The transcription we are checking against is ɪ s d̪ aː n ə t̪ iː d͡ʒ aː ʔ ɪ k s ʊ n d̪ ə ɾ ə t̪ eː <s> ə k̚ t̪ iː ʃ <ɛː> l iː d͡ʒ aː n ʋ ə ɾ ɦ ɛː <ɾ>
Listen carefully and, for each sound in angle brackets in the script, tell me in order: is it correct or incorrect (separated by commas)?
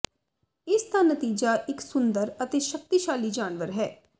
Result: incorrect, incorrect, incorrect